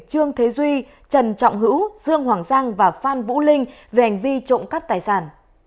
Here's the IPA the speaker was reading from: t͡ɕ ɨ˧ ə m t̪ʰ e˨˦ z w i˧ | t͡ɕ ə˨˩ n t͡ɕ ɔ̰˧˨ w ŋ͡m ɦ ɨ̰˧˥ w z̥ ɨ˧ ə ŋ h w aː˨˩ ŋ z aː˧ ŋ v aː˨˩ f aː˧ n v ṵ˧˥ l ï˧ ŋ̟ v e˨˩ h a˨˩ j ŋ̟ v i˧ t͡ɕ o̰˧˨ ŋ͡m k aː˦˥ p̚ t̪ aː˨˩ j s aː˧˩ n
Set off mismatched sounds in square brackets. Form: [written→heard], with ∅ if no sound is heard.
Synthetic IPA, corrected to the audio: t͡ɕ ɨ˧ ə [m→ŋ] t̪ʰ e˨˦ z w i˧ | t͡ɕ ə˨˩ n t͡ɕ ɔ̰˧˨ w ŋ͡m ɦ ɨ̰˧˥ w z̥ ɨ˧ ə ŋ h w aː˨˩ ŋ z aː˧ ŋ v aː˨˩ f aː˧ n v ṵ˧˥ l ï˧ ŋ̟ v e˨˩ h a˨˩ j ŋ̟ v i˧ t͡ɕ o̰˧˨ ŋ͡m k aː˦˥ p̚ t̪ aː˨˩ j s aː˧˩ n